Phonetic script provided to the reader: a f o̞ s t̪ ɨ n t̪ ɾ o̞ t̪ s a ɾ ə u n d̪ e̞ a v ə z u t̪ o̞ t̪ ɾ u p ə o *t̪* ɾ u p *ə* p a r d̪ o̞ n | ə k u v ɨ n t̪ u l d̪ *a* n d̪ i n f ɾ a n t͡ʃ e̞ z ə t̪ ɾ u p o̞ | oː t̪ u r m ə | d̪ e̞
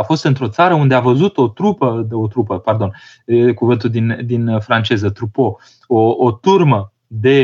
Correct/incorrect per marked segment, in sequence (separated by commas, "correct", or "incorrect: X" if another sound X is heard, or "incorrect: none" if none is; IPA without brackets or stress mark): correct, correct, incorrect: i